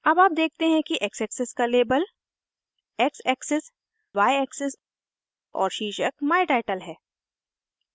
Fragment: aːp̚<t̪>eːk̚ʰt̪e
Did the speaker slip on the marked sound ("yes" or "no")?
yes